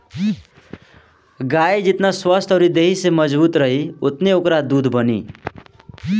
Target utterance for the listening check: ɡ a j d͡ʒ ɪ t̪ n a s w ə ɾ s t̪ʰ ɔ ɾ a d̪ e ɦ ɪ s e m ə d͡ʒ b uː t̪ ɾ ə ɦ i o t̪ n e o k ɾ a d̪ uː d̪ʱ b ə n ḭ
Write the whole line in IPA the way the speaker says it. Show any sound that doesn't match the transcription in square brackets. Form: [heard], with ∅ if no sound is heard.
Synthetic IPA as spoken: ɡ a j d͡ʒ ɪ t̪ n a s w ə [∅] s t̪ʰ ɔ ɾ [i] d̪ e ɦ [i] s e m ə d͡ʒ b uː t̪ ɾ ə ɦ i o t̪ n e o k ɾ a d̪ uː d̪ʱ b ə n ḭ